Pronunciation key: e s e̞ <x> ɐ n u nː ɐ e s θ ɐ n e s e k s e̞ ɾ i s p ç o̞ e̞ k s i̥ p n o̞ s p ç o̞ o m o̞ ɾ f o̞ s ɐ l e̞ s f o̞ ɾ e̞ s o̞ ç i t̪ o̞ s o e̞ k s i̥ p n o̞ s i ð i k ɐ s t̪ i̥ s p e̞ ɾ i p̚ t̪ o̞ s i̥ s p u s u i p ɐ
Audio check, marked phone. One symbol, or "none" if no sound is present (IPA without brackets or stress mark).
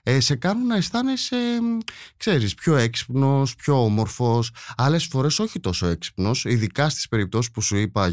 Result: k